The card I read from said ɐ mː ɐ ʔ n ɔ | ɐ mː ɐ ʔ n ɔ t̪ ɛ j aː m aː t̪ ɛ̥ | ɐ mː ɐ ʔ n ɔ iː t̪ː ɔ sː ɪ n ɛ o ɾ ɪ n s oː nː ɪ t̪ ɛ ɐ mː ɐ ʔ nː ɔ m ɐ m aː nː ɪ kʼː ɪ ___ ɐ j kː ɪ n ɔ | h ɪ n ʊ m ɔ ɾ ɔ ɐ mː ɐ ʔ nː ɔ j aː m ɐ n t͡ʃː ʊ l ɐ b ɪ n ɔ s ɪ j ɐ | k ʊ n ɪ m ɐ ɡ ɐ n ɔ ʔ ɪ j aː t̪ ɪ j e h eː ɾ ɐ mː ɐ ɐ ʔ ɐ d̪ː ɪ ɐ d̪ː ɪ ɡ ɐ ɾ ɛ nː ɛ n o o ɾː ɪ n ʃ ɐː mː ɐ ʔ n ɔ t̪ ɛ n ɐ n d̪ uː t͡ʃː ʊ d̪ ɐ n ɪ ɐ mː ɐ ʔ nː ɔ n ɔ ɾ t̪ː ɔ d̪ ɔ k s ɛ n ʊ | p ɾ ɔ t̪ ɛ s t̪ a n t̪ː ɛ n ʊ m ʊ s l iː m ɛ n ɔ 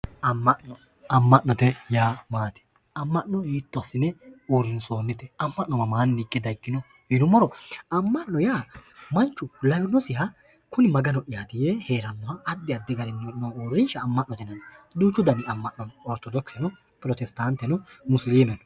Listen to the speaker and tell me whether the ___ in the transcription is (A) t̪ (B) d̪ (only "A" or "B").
B